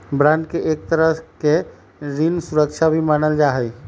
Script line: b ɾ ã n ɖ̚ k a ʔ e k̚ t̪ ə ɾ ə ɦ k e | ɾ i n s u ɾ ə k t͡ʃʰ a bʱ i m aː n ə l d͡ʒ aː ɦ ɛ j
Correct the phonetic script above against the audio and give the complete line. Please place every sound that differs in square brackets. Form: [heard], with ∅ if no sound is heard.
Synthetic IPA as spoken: b ɾ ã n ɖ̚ k [e] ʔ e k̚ t̪ ə ɾ ə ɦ k e | ɾ i n s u ɾ ə k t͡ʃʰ a bʱ i m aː n ə l d͡ʒ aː ɦ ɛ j